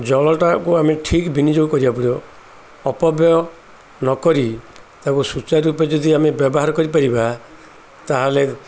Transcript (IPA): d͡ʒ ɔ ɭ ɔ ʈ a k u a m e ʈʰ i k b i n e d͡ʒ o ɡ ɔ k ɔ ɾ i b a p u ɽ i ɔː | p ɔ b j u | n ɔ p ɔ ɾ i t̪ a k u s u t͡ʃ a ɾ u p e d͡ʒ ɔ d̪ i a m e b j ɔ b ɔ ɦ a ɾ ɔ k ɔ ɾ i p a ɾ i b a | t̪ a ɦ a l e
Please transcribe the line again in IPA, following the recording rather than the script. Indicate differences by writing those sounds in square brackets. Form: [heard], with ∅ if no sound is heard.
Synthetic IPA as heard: d͡ʒ ɔ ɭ ɔ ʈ a k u a m e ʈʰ i k b i n [i] d͡ʒ o ɡ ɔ k ɔ ɾ i b a p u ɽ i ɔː | p ɔ b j [ɔ] | n ɔ [k] ɔ ɾ i t̪ a k u s u t͡ʃ a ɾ u p e d͡ʒ ɔ d̪ i a m e b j ɔ b ɔ ɦ a ɾ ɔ k ɔ ɾ i p a ɾ i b a | t̪ a ɦ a l e